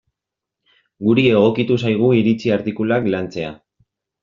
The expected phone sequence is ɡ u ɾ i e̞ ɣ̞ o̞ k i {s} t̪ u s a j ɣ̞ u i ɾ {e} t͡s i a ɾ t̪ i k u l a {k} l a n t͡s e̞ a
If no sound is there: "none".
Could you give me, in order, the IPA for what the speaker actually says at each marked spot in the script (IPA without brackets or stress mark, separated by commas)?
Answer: none, i, k